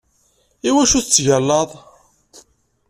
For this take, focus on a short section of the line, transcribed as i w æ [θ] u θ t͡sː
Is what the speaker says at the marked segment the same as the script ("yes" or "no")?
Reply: no